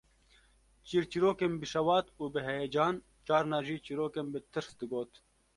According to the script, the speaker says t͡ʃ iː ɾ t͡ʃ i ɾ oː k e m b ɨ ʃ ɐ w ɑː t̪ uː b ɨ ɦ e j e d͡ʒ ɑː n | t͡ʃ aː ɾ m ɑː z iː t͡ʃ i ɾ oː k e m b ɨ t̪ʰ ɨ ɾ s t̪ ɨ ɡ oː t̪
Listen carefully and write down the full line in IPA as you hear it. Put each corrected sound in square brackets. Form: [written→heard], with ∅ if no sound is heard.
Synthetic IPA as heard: t͡ʃ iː ɾ t͡ʃ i ɾ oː k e m b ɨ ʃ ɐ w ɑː t̪ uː b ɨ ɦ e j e d͡ʒ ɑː n | t͡ʃ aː ɾ [m→n] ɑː [z→ʒ] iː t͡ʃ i ɾ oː k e m b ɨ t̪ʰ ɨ ɾ s [t̪→d̪] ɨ ɡ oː t̪